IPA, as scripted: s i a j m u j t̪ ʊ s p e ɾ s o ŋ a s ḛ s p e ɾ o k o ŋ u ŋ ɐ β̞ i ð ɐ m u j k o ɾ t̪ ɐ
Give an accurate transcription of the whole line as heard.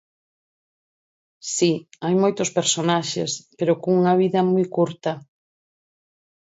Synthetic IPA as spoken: s i a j m o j t̪ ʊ s p e ɾ s o n a ʃ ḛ s p e ɾ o k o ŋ u ŋ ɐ β̞ i ð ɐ m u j k u ɾ t̪ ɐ